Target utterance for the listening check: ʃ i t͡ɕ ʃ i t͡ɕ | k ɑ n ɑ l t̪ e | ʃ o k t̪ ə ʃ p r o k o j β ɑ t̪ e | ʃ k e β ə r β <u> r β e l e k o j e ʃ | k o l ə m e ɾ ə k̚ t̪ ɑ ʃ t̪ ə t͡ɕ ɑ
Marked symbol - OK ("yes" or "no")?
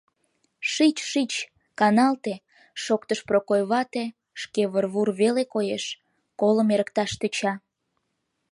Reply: yes